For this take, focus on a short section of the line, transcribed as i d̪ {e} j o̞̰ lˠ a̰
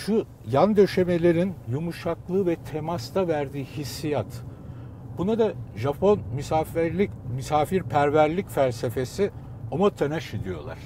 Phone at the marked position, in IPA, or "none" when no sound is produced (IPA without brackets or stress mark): i